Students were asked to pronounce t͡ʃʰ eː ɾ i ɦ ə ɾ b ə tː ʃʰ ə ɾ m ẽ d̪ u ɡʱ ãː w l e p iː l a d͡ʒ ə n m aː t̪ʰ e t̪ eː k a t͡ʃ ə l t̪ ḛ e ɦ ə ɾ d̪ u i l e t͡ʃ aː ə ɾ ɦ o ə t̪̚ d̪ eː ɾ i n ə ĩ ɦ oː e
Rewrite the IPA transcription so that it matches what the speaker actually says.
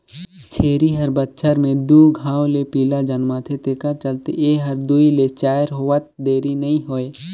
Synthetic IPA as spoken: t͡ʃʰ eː ɾ i ɦ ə ɾ b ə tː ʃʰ ə ɾ m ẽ d̪ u ɡʱ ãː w l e p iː l a d͡ʒ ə n m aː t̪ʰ e t̪ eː k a t͡ʃ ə l t̪ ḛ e ɦ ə ɾ d̪ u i l e t͡ʃ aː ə ɾ ɦ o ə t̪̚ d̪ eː ɾ i n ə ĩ ɦ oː e